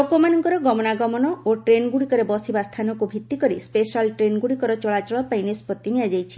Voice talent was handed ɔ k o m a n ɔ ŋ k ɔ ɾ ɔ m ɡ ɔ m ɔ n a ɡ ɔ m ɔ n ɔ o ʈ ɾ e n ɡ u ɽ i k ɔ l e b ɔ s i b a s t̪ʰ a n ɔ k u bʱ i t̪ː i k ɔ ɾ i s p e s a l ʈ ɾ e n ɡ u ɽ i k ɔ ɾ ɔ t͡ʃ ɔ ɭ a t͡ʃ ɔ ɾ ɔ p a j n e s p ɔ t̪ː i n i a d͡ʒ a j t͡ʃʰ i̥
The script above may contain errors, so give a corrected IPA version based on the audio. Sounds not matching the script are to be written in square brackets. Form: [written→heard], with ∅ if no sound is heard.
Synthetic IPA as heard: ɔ k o m a n ɔ ŋ k ɔ ɾ ɔ [m→∅] ɡ ɔ m ɔ n a ɡ ɔ m ɔ n ɔ o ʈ ɾ e n ɡ u ɽ i k ɔ [l→ɾ] e b ɔ s i b a s t̪ʰ a n ɔ k u bʱ i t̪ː i k ɔ ɾ i s p e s a l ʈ ɾ e n ɡ u ɽ i k ɔ ɾ ɔ t͡ʃ ɔ ɭ a t͡ʃ ɔ [ɾ→ɭ] ɔ p a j n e s p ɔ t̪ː i n i a d͡ʒ a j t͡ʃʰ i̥